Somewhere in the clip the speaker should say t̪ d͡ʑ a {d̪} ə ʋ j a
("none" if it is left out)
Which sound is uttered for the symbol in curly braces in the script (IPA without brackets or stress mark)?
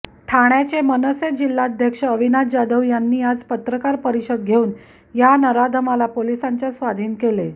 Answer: d̪